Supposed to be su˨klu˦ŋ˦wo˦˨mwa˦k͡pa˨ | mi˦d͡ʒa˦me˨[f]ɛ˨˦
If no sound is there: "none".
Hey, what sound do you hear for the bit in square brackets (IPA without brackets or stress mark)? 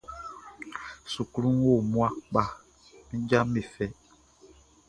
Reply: f